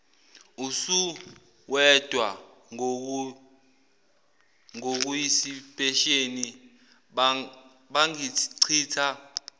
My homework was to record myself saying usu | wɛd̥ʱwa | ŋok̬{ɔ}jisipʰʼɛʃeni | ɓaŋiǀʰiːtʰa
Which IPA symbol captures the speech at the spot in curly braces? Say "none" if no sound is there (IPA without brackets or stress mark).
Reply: u